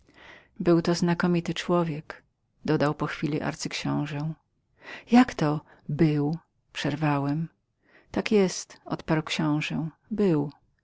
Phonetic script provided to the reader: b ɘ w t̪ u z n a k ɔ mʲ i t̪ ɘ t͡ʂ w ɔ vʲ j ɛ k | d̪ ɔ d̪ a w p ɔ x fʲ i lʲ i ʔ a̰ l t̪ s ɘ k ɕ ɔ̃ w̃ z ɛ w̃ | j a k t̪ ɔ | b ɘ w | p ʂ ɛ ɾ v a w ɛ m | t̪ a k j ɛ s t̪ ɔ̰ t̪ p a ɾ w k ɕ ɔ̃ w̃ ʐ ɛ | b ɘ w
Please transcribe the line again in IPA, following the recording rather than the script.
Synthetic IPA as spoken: b ɘ w t̪ ɔ z n a k ɔ mʲ i t̪ ɘ t͡ʂ w ɔ vʲ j ɛ k | d̪ ɔ d̪ a w p ɔ x fʲ i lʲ i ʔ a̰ ɾ t̪ s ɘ k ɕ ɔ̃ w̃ ʐ ɛ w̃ | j a k t̪ ɔ | b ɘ w | p ʂ ɛ ɾ v a w ɛ m | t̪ a k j ɛ s t̪ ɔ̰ t̪ p a ɾ w k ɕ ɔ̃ w̃ ʐ ɛ | b ɘ w